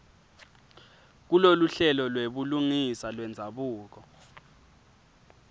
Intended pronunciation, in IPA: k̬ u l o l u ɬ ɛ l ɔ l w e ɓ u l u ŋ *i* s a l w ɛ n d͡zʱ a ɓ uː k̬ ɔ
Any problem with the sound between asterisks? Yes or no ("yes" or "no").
no